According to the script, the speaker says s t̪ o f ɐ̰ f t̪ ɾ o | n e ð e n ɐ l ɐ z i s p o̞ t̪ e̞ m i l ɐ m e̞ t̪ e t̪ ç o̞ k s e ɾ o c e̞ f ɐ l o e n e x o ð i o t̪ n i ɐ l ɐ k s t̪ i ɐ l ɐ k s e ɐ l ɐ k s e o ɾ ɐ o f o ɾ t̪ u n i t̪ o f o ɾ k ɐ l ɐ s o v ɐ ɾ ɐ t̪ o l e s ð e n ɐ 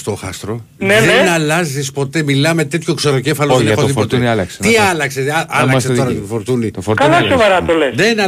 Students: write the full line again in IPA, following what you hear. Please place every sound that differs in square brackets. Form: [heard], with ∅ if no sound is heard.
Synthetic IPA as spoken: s t̪ o [x] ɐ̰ [s] t̪ ɾ o | n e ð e n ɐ l ɐ z i s p o̞ t̪ e̞ m i l ɐ m e̞ t̪ e t̪ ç o̞ k s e ɾ o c e̞ f ɐ l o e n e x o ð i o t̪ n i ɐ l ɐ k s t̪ i ɐ l ɐ k s e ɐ l ɐ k s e o ɾ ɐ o f o ɾ t̪ u n i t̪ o f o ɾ k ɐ l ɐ s o v ɐ ɾ ɐ t̪ o l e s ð e n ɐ